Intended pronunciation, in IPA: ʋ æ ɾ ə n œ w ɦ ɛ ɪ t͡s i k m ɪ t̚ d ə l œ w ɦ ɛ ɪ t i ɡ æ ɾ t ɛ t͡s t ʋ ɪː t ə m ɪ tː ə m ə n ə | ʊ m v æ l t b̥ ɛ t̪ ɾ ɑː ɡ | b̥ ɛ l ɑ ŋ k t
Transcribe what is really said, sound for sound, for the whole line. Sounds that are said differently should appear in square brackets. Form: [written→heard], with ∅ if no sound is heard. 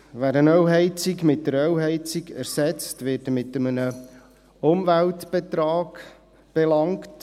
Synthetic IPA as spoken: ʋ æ ɾ ə n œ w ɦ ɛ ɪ t͡s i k m ɪ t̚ d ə [l→ɾ] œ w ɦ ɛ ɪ [t→t͡s] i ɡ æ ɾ [t→s] ɛ t͡s t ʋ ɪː t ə m ɪ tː ə m ə n ə | ʊ m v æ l t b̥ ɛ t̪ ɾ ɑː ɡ | b̥ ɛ l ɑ ŋ k t

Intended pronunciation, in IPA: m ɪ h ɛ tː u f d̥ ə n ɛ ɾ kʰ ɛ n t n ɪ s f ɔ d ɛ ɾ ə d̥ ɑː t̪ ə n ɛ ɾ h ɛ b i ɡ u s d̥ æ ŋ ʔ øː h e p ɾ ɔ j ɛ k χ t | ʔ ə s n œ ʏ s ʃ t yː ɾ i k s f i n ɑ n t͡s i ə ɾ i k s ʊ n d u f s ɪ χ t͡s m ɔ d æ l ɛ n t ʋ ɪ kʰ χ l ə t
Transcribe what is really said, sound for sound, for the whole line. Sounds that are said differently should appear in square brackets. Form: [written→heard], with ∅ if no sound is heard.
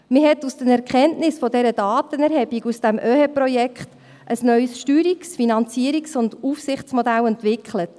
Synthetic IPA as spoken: m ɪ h ɛ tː u [f→s] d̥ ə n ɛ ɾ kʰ ɛ n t n ɪ s f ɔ d ɛ ɾ ə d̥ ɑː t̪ ə n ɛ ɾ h ɛ b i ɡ u s d̥ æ [ŋ→m] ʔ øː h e p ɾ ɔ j ɛ k χ t | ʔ ə s n œ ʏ s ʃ t yː ɾ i k s f i n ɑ n t͡s i ə ɾ i k s ʊ n d u f s ɪ χ t͡s m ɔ d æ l ɛ n t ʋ ɪ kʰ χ l ə t

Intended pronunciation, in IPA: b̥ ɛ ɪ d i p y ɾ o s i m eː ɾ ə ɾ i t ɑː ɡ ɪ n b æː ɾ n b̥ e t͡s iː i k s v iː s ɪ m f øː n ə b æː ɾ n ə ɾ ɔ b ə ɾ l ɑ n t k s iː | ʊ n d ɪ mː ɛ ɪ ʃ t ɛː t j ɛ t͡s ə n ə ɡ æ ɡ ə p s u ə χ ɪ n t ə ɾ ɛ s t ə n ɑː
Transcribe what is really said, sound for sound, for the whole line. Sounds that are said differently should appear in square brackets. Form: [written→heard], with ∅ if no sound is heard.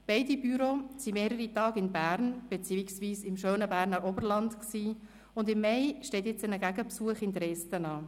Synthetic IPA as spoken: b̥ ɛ ɪ d i [p→b] y ɾ o s i m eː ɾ ə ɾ i t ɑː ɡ ɪ n b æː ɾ n b̥ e t͡s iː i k s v iː s ɪ m [f→ʃ] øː n ə b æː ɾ n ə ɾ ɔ b ə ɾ l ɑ n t k s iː | ʊ n d ɪ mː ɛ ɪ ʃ t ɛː t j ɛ t͡s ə n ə ɡ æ ɡ ə p s u ə χ ɪ n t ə ɾ ɛ s t ə n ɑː

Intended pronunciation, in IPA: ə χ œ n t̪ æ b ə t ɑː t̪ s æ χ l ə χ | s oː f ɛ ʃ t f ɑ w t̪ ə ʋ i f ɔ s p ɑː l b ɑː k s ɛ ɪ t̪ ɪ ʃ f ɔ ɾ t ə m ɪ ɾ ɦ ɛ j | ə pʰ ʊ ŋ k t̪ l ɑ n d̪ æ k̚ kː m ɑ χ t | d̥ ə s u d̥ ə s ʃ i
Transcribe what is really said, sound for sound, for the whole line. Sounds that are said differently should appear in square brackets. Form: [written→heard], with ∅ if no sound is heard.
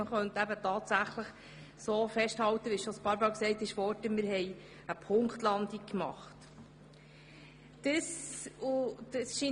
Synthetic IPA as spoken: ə χ œ n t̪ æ b ə t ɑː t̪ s æ χ l ə χ | s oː f ɛ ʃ t [f→h] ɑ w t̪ ə ʋ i [f→ʃ] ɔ s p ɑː [l→ɾ] b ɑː k s ɛ ɪ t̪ ɪ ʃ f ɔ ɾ t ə m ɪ ɾ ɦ ɛ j | ə pʰ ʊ ŋ k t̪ l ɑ n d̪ [æ→i] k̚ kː m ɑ χ t | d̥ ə s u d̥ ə s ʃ i

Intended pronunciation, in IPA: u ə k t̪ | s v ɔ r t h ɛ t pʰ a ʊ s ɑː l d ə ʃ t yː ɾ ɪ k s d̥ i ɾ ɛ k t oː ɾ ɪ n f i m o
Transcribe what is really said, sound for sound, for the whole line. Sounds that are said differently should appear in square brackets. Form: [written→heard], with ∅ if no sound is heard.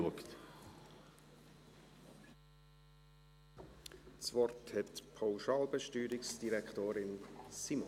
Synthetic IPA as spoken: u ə k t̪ | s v ɔ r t h ɛ t pʰ a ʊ [s→ʃ] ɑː l [d→b] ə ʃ t yː ɾ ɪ k s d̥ i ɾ ɛ k t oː ɾ ɪ n [f→s] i m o

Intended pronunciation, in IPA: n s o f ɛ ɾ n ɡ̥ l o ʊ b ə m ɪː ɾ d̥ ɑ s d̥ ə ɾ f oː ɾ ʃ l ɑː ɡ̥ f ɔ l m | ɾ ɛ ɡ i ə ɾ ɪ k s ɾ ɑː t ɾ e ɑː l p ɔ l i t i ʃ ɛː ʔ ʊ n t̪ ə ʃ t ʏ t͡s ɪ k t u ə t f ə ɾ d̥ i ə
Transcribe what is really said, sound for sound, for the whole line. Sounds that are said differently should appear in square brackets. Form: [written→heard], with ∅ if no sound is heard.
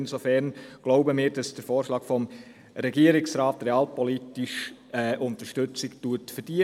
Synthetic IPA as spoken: n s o f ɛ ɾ n ɡ̥ l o ʊ b ə m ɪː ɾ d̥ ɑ s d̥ ə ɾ f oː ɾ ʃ l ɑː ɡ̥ f ɔ [l→∅] m | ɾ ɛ ɡ i ə ɾ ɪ k s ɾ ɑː t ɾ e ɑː l p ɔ l i t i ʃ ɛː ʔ ʊ n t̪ ə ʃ t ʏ t͡s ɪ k t u ə t f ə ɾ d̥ i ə

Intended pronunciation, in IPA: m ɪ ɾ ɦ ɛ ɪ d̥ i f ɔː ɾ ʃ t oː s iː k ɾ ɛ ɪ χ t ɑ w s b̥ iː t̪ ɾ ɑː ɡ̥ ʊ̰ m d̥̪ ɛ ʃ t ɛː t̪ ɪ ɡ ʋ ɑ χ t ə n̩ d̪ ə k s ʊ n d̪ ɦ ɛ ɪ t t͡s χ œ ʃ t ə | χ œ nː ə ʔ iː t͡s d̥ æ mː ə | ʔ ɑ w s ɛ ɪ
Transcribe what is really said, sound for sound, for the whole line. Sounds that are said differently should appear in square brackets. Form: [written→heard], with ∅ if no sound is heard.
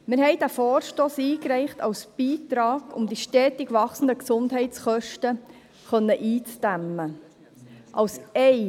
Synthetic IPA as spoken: m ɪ ɾ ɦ ɛ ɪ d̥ [i→æ] f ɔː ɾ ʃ t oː s iː k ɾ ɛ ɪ χ t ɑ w s b̥ iː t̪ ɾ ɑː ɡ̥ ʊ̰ m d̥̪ [ɛ→i] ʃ t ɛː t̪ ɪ ɡ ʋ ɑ χ [t→s] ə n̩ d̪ ə k s ʊ n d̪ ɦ ɛ ɪ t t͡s χ œ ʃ t ə | χ œ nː ə ʔ iː t͡s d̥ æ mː ə | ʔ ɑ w s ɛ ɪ

